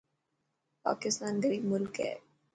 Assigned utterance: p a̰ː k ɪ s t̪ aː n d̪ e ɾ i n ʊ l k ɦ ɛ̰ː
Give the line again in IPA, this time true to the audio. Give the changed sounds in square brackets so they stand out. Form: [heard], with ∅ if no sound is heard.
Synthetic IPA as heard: p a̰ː k ɪ s t̪ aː n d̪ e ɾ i [m] ʊ l k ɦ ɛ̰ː